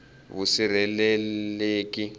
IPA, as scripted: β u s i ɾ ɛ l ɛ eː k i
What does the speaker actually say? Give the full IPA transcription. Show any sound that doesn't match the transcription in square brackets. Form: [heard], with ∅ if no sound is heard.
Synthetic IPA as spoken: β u s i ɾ ɛ l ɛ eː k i